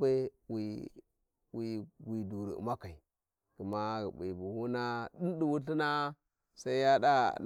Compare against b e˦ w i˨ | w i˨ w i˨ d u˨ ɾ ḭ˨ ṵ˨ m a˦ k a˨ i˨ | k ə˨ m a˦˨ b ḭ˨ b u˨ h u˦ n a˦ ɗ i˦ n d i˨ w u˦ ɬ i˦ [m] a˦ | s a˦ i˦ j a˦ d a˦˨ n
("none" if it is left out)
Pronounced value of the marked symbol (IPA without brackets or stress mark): n